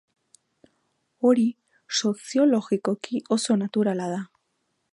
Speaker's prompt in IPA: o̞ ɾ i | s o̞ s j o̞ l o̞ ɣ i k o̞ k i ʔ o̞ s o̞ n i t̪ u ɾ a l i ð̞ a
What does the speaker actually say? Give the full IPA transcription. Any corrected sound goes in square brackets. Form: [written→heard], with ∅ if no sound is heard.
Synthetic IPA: o̞ ɾ i | s o̞ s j o̞ l o̞ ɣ i k o̞ k i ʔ o̞ s o̞ n [i→a] t̪ u ɾ a l [i→a] ð̞ a